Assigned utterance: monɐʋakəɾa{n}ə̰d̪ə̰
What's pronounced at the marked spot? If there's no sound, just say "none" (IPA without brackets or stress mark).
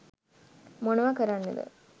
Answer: nː